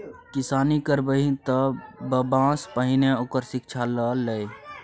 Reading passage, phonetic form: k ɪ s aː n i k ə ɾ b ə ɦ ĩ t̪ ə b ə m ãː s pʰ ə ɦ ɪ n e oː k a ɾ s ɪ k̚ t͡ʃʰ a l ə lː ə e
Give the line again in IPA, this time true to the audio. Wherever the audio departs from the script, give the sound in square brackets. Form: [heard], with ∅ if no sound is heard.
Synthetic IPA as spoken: k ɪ s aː n i k ə ɾ b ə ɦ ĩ t̪ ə b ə [b] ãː s [p] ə ɦ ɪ n e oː k [ə] ɾ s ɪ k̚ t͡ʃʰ a l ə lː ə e